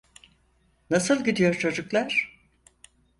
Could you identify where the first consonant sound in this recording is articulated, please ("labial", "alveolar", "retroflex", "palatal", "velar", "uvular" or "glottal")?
alveolar